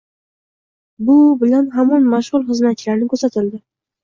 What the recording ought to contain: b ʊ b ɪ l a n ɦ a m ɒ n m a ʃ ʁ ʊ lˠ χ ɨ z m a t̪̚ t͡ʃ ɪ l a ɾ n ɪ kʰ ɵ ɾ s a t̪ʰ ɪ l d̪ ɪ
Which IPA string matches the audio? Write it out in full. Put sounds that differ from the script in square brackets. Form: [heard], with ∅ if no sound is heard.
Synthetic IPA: b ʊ b ɪ l a n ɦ a m ɒ n m a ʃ ʁ ʊ lˠ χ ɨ z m a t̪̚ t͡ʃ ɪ l a ɾ n ɪ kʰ ɵ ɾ s a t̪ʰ ɪ l d̪ ɪ